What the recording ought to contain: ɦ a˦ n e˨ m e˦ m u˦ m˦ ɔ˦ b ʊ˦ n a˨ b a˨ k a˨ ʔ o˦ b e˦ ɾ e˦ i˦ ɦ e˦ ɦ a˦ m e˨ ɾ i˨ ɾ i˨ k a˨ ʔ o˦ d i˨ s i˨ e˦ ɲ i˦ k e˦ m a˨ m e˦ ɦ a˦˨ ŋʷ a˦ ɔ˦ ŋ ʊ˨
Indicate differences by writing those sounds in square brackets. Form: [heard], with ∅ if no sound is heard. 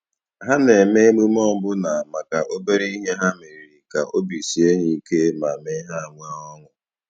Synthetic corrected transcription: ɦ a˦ n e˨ m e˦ m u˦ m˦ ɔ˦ b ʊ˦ n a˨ [m] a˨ k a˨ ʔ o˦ b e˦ ɾ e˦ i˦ ɦ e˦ ɦ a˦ m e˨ ɾ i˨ ɾ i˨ k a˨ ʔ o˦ [b] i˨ s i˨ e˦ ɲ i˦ k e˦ m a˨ m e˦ ɦ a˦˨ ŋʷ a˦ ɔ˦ ŋ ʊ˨